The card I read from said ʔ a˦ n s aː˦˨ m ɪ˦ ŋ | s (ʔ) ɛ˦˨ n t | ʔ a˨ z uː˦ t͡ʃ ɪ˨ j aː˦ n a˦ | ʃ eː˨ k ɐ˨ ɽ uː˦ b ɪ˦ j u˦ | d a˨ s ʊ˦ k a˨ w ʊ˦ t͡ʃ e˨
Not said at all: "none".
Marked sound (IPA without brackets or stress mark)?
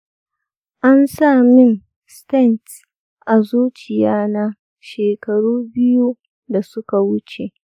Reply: t